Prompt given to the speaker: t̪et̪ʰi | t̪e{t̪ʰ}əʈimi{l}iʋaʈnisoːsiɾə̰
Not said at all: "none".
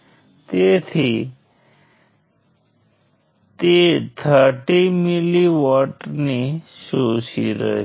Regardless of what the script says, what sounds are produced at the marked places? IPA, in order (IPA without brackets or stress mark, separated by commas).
t̪ʰ, l